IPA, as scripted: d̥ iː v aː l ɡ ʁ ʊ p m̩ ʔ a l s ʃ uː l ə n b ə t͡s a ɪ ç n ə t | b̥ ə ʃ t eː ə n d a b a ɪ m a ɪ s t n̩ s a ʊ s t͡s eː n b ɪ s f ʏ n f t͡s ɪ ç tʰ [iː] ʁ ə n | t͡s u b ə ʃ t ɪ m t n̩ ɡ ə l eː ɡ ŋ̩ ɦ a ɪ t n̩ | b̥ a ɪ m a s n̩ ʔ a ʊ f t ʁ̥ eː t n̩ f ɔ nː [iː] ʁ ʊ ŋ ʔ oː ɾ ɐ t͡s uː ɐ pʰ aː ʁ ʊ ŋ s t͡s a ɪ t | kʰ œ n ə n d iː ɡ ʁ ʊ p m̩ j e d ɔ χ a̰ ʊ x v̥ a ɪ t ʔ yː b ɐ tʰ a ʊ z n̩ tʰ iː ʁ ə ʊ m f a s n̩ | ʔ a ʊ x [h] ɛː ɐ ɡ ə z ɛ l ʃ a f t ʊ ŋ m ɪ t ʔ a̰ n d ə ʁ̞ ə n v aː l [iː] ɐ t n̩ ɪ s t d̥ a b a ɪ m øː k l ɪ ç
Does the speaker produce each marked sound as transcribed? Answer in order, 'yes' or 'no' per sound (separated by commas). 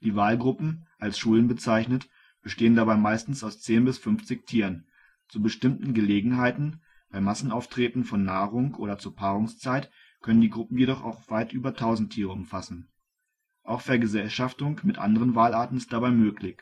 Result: yes, no, no, no